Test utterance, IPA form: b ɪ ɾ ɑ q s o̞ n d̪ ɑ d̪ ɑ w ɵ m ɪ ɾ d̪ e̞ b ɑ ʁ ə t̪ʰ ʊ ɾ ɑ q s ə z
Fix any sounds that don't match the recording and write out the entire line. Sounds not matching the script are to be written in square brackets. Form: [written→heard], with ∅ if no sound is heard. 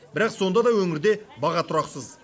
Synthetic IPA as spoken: b ɪ ɾ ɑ q s o̞ n d̪ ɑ d̪ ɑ w ɵ [m→ŋ] ɪ ɾ d̪ e̞ b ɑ ʁ [ə→ɑ] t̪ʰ ʊ ɾ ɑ q s ə z